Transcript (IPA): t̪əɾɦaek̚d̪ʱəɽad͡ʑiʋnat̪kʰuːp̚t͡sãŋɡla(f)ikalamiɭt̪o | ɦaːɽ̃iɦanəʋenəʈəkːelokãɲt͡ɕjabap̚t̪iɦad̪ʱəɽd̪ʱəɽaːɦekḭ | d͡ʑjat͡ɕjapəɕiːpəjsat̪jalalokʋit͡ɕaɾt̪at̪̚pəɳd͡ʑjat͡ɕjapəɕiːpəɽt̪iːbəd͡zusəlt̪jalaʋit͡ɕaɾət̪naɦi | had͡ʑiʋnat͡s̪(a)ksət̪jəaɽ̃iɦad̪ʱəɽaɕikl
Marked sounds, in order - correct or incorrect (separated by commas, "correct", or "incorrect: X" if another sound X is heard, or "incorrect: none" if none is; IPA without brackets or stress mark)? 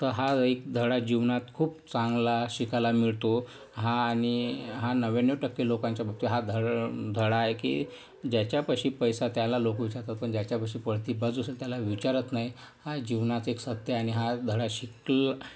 incorrect: ɕ, incorrect: e